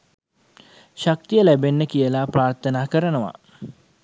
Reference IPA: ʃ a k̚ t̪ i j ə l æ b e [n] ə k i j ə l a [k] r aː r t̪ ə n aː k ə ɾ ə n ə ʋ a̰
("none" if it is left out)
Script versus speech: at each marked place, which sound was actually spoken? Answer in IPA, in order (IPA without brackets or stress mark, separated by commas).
nː, p